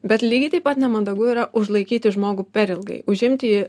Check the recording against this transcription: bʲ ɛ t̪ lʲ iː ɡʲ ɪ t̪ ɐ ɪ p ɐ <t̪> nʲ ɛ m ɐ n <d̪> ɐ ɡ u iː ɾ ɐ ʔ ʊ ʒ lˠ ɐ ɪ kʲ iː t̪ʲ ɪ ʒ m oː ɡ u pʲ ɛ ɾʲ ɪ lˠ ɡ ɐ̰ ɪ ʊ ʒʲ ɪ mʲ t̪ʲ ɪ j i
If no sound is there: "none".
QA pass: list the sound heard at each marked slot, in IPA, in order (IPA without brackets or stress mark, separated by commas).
t̪, d̪